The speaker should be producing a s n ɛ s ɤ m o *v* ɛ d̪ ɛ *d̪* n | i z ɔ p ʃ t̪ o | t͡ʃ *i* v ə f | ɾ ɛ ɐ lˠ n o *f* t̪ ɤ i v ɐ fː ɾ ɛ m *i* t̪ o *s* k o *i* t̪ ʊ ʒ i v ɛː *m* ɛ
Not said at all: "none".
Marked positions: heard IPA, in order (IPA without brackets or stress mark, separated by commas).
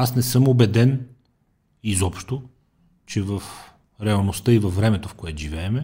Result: b, none, ɛ, s, ɛ, f, ɛ, m